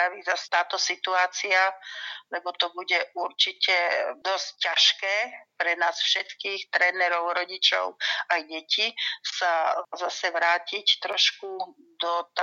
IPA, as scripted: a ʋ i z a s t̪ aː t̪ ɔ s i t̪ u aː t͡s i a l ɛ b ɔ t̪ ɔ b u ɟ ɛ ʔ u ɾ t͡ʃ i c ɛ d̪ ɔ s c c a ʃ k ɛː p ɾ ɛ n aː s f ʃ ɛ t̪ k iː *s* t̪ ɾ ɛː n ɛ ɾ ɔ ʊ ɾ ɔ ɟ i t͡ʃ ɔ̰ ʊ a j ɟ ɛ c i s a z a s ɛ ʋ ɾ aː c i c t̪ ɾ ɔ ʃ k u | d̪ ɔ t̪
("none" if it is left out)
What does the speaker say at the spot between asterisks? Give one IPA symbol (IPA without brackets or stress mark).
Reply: x